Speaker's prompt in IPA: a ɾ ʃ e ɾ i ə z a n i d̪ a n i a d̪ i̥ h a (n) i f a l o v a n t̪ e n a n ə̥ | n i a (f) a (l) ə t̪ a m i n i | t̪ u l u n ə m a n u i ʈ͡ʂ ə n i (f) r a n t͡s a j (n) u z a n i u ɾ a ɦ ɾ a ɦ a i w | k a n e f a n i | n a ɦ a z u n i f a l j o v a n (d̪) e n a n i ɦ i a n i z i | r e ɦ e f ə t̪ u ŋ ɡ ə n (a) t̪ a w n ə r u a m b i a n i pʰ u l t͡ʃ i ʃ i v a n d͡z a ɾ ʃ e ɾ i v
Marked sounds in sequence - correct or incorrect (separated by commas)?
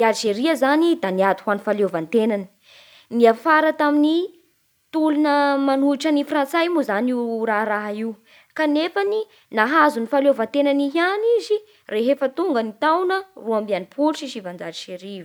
correct, correct, incorrect, correct, incorrect, incorrect, incorrect